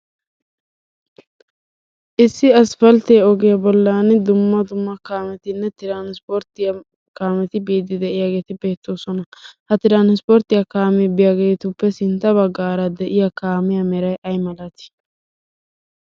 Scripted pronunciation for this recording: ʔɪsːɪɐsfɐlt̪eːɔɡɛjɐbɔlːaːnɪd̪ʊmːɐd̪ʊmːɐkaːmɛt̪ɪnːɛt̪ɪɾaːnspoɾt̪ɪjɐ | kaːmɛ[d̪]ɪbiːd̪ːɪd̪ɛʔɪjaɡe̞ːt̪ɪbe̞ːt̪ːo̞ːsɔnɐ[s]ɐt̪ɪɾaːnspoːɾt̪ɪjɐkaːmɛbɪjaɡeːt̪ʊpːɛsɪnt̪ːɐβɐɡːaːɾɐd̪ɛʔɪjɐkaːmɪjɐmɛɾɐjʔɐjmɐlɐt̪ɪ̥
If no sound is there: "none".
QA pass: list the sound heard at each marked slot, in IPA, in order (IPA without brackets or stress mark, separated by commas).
t̪, h